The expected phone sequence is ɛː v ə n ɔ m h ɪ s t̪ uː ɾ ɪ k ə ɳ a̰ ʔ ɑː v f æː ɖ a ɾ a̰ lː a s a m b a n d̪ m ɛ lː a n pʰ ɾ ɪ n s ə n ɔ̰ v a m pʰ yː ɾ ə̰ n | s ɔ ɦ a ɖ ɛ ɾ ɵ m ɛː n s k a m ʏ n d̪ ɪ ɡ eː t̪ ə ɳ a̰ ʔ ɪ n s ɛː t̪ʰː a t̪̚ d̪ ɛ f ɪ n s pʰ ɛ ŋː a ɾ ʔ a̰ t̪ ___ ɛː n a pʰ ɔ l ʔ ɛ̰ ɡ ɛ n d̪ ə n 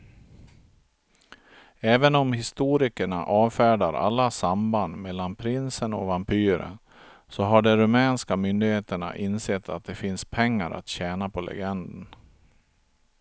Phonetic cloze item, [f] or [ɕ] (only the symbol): ɕ